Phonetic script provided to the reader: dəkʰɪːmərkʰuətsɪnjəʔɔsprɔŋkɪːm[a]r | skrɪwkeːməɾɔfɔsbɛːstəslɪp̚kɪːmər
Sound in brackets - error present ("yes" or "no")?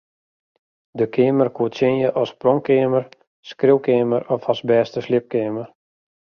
yes